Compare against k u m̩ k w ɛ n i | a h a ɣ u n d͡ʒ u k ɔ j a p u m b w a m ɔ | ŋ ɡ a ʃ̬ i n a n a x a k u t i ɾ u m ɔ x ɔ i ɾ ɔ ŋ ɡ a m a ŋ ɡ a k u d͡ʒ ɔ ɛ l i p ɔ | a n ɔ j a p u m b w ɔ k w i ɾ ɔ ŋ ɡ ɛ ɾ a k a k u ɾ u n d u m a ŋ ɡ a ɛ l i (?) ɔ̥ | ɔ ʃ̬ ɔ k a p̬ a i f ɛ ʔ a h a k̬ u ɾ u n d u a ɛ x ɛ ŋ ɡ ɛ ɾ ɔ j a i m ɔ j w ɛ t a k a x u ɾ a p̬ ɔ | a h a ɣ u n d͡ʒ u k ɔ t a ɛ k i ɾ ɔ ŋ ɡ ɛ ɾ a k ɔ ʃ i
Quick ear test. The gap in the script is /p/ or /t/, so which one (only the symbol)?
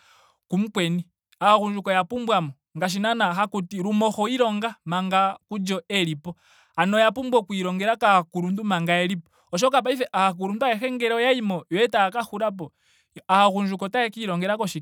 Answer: p